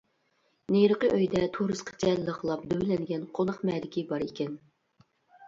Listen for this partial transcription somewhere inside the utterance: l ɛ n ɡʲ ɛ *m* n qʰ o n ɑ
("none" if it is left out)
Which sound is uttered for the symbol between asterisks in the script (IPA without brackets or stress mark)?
none